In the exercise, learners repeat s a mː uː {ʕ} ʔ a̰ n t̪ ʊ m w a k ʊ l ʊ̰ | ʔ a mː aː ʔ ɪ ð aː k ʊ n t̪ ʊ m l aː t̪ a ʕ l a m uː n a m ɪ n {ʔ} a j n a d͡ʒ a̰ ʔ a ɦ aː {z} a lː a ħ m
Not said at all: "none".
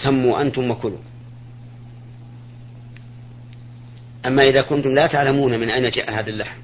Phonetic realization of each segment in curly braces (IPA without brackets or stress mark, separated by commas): none, ʔ, ð